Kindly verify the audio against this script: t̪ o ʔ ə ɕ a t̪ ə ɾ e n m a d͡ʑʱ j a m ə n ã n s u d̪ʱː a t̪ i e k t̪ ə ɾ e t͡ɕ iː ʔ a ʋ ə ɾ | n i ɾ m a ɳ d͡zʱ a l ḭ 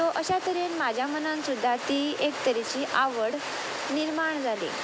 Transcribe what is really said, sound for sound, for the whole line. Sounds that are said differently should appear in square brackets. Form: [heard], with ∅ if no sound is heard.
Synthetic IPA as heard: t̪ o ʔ ə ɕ a t̪ ə ɾ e n m a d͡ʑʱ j a m ə n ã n s u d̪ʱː a t̪ i e k t̪ ə ɾ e t͡ɕ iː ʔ a ʋ ə [ɽ] | n i ɾ m a ɳ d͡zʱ a l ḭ